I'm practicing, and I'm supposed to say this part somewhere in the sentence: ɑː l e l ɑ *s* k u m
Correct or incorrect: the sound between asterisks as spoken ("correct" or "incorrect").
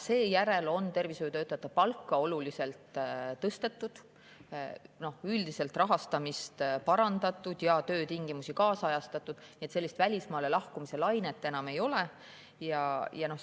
incorrect